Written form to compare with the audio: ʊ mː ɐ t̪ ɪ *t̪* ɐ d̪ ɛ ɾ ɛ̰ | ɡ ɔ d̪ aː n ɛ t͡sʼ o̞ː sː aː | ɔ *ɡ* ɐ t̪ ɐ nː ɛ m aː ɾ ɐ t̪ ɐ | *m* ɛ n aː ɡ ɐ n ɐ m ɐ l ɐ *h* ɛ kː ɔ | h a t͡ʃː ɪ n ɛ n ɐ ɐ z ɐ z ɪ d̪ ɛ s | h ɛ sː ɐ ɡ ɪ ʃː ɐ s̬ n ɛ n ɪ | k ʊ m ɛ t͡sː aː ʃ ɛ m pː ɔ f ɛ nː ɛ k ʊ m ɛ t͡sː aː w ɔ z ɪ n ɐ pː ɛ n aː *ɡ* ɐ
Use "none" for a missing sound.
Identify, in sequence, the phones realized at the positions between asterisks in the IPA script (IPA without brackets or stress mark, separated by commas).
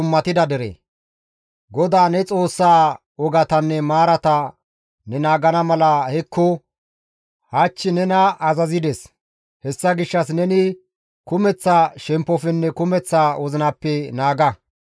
d̪, ɡ, n, h, ɡ